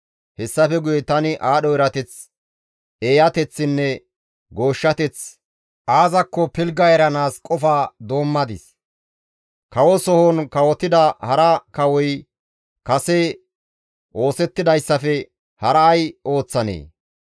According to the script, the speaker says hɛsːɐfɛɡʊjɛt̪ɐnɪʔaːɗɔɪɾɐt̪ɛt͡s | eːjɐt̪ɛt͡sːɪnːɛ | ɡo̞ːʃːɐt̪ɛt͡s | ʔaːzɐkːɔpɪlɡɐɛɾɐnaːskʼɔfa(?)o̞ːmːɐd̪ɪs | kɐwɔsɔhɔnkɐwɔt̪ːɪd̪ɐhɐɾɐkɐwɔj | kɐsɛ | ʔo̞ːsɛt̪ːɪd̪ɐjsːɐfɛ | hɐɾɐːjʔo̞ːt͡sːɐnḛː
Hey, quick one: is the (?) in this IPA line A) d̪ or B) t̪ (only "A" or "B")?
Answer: A